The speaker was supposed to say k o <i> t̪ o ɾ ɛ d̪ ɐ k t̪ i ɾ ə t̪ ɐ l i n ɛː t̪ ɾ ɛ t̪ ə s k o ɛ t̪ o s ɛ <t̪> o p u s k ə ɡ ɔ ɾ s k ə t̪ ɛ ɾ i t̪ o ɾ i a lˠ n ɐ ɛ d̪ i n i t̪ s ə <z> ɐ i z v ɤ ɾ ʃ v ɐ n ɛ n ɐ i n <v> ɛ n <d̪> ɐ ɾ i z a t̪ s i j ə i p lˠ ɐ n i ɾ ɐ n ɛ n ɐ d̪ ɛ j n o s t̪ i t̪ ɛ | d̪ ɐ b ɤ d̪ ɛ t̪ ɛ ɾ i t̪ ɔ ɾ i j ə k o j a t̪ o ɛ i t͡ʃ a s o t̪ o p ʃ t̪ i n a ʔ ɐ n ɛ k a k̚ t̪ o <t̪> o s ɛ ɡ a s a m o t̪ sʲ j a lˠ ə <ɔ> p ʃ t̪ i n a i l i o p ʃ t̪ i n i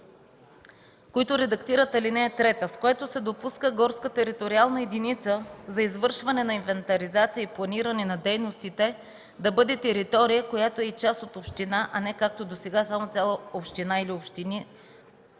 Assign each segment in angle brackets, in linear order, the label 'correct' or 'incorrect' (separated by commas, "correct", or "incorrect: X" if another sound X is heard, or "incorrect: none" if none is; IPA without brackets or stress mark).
correct, incorrect: d̪, correct, correct, incorrect: t̪, incorrect: d̪, incorrect: o